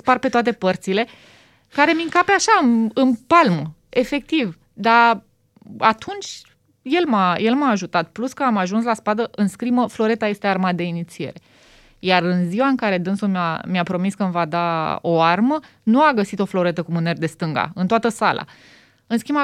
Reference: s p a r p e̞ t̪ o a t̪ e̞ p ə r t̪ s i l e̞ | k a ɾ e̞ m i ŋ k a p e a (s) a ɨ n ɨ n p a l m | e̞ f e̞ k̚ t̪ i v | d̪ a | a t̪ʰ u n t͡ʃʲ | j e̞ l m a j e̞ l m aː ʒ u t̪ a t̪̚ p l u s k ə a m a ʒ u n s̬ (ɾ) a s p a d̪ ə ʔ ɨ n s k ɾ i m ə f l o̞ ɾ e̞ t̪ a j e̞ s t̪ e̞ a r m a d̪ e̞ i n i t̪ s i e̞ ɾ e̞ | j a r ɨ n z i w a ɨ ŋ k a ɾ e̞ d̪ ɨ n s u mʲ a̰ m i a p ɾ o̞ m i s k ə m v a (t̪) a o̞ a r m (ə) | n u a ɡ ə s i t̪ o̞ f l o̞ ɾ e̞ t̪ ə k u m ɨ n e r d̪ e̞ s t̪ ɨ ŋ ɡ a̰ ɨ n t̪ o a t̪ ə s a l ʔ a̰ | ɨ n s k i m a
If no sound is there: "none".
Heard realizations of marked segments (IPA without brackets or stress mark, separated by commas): ʃ, l, d̪, ə